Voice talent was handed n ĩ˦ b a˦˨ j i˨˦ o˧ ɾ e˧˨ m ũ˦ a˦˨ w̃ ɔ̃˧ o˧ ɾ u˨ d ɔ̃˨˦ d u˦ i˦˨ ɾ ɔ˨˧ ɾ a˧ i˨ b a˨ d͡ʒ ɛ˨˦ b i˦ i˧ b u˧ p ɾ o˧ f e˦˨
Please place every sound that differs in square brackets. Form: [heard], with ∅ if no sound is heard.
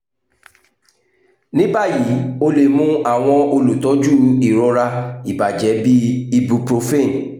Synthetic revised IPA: n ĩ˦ b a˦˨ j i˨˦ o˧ [l] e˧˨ m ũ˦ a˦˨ w̃ ɔ̃˧ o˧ [l] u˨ [t] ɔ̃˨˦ [d͡ʒ] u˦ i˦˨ ɾ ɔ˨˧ ɾ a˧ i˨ b a˨ d͡ʒ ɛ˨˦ b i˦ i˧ b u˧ p ɾ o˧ f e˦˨